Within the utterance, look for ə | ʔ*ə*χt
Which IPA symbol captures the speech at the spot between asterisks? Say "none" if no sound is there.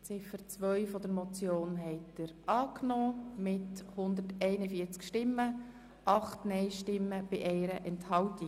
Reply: ɑ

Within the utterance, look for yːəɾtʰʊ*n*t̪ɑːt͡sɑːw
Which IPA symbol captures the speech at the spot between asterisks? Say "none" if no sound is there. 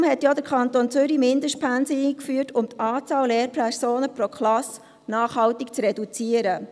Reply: m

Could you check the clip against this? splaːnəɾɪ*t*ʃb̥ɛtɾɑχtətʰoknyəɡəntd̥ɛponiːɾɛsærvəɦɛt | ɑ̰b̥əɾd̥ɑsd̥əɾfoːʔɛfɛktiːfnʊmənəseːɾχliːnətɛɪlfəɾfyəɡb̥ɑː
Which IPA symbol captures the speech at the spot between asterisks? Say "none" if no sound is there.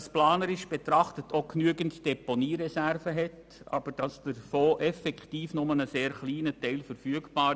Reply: none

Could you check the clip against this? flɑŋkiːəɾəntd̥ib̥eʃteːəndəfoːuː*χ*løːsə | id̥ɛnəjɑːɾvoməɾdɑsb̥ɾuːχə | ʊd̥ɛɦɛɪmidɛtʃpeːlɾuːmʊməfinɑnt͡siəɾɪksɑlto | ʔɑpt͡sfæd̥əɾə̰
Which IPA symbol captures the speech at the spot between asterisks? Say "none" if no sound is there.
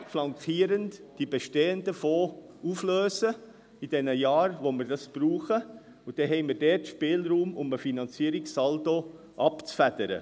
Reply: f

